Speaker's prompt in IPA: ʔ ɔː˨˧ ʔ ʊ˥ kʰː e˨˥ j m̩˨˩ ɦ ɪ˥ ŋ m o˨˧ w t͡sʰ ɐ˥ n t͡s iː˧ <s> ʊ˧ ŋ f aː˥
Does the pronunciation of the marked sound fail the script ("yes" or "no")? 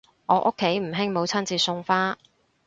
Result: no